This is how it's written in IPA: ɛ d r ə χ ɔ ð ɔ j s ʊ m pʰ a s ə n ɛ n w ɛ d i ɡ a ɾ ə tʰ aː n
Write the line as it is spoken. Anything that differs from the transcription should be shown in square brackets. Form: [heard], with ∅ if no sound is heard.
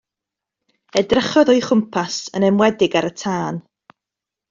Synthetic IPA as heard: ɛ d r ə χ ɔ ð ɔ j [χ] ʊ m pʰ a s ə n ɛ [m] w ɛ d [ɪ] ɡ a ɾ ə tʰ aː n

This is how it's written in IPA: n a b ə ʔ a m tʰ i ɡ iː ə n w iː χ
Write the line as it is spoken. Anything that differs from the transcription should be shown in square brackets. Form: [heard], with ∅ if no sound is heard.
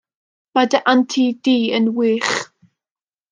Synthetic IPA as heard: [m] a [d] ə ʔ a [n] tʰ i [d] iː ə n w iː χ

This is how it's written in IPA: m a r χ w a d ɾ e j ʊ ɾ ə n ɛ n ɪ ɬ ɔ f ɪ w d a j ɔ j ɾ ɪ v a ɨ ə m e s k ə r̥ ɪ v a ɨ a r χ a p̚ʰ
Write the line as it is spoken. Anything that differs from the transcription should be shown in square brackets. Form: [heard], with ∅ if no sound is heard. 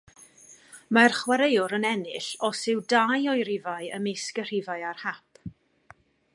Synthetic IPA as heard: m a r χ w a [∅] ɾ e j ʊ ɾ ə n ɛ n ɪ ɬ ɔ [s] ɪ w d a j ɔ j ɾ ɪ v a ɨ ə m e s k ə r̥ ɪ v a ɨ a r [h] a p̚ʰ

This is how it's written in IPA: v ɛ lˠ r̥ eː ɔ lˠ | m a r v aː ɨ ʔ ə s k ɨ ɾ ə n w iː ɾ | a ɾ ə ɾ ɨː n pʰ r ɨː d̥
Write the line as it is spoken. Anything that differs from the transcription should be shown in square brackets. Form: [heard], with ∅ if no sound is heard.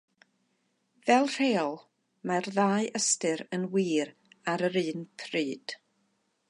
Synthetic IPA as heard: v ɛ lˠ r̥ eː ɔ lˠ | m a r [ð] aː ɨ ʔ ə s [t] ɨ ɾ ə n w iː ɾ | a ɾ ə ɾ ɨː n pʰ r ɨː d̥

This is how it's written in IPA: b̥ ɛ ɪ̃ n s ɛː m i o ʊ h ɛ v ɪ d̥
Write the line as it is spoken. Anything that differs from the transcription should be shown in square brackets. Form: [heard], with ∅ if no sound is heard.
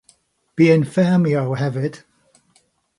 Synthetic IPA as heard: b̥ [i] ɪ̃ n [f] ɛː m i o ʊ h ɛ v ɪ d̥

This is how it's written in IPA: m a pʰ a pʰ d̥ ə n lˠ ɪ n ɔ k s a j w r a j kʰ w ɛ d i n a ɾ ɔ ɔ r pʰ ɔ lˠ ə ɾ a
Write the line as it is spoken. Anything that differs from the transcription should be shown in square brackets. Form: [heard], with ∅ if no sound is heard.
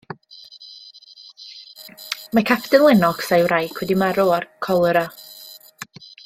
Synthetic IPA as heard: m a [kʰ] a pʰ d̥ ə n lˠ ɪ n ɔ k s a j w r a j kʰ w ɛ d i [m] a ɾ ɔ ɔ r [kʰ] ɔ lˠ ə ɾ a

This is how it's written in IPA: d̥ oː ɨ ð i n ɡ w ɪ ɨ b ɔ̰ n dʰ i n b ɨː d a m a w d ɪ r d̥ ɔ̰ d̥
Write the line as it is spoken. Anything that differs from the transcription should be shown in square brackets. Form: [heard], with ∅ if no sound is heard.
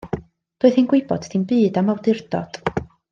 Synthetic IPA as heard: d̥ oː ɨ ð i n ɡ w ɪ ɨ b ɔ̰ [d] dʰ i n b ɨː d a m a w d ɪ r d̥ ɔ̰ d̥

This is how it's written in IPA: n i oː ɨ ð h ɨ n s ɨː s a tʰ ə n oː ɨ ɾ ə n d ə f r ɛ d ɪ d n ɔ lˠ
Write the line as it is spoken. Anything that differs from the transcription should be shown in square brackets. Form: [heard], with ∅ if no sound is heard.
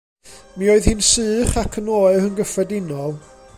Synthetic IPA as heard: [m] i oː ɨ ð h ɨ n s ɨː [χ] a [kʰ] ə n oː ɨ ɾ ə n [ɡ] ə f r ɛ d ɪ [∅] n ɔ lˠ

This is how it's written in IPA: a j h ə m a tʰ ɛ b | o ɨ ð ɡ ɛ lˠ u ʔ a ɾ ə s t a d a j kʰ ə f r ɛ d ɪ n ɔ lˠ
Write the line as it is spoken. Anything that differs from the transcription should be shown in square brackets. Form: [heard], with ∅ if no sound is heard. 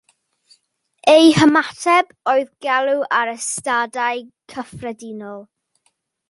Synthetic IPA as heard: [e] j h ə m a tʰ ɛ b | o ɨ ð ɡ ɛ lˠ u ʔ a ɾ ə s t a d a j kʰ ə f r ɛ d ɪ n ɔ lˠ

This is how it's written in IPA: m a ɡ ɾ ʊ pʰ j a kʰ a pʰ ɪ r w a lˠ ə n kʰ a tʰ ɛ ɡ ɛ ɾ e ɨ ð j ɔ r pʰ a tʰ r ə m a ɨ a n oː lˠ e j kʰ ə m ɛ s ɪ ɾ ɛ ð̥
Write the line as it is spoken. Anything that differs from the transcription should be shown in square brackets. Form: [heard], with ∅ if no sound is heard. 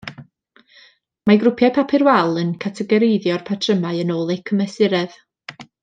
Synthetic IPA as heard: m a ɡ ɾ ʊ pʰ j a [pʰ] a pʰ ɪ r w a lˠ ə n kʰ a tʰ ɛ ɡ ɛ ɾ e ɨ ð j ɔ r pʰ a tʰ r ə m a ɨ [ə] n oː lˠ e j kʰ ə m ɛ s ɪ ɾ ɛ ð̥

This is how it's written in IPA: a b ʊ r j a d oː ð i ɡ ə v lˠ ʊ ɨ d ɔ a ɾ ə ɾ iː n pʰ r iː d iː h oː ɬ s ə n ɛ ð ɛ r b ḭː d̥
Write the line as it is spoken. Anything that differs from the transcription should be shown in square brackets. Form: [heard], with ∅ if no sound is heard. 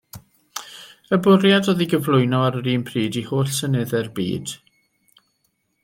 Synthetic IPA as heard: [ə] b ʊ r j a d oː ð i ɡ ə v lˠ ʊ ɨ [n] ɔ a ɾ ə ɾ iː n pʰ r iː d [i] h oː ɬ s ə n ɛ ð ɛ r b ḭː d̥

